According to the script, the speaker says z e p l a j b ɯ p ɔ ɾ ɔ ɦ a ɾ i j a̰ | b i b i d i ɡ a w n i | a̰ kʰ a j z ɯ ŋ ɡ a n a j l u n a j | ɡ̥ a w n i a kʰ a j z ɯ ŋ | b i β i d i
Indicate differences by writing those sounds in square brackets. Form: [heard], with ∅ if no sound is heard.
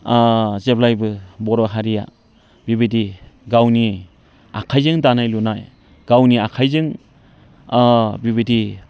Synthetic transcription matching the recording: z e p l a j b ɯ [b] ɔ ɾ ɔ ɦ a ɾ i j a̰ | b i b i d i ɡ a w n i | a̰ kʰ a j z ɯ ŋ [d] a n a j l u n a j | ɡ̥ a w n i a kʰ a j z ɯ ŋ | b i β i d i